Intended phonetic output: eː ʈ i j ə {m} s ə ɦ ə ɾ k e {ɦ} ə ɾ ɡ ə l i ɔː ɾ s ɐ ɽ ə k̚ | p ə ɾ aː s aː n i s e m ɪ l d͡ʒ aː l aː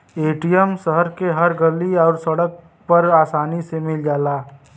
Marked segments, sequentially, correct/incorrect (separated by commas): correct, correct